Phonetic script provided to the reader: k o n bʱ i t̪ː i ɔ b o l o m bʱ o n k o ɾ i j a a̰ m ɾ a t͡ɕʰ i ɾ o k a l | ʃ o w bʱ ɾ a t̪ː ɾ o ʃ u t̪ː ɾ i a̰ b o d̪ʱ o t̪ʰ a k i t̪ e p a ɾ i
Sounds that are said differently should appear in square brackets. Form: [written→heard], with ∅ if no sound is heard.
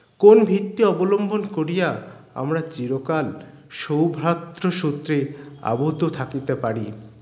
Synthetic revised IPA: k o n bʱ i t̪ː i ɔ b o l o m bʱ o n k o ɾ i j a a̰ m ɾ a [t͡ɕʰ→t͡ɕ] i ɾ o k a l | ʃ o w bʱ ɾ a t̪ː ɾ o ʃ u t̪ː ɾ [i→e] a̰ b o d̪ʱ o t̪ʰ a k i t̪ e p a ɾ i

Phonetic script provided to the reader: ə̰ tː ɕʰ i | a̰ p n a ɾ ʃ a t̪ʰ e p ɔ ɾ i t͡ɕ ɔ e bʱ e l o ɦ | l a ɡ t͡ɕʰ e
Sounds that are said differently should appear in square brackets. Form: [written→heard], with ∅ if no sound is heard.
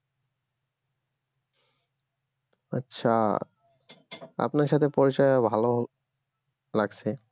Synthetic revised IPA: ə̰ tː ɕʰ [i→a] | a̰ p n a ɾ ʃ a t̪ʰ e p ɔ ɾ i t͡ɕ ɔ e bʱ [e→a] l o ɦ | l a ɡ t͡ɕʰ e

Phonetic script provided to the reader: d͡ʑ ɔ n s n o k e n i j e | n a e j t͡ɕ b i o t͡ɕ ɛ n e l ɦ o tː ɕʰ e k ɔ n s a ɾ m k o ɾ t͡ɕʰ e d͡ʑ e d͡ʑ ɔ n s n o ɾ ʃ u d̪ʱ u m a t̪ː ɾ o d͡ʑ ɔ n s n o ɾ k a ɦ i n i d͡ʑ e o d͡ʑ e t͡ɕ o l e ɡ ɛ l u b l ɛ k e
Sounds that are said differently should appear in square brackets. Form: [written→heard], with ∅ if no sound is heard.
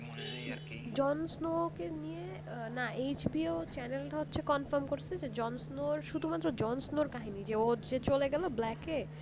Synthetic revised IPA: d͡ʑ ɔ n s n o k e n i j e | n a e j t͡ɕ b i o t͡ɕ ɛ n e l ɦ o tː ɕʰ e k ɔ n [s→f] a ɾ m k o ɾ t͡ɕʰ e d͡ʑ e d͡ʑ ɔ n s n o ɾ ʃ u d̪ʱ u m a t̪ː ɾ o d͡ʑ ɔ n s n o ɾ k a ɦ i n i d͡ʑ e o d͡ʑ e t͡ɕ o l e ɡ ɛ l [u→o] b l ɛ k e

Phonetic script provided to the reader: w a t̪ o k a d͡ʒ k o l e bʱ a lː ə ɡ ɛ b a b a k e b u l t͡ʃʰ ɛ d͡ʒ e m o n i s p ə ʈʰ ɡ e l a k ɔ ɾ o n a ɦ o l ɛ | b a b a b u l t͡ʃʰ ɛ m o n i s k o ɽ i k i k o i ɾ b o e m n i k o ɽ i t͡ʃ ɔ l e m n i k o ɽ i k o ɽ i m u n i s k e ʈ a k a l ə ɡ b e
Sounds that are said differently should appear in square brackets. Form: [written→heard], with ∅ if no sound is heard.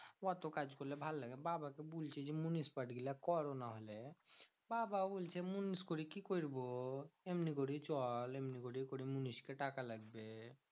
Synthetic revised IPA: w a t̪ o k a d͡ʒ k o l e bʱ a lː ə ɡ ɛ b a b a k e b u l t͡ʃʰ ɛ d͡ʒ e m [o→u] n i s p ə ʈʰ ɡ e l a k ɔ ɾ o n a ɦ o l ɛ | b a b a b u l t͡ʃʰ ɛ m [o→u] n i s k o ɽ i k i k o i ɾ b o e m n i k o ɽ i t͡ʃ ɔ l e m n i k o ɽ i k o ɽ i m u n i s k e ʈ a k a l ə ɡ b e

